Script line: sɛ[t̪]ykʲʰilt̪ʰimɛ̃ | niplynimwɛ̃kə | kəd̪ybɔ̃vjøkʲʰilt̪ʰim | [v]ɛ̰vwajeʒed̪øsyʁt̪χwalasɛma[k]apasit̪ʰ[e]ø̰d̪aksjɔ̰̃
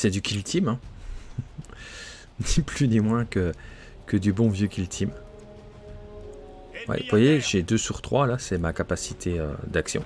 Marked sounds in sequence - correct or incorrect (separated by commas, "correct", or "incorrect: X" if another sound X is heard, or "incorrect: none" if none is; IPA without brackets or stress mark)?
incorrect: d̪, incorrect: w, correct, correct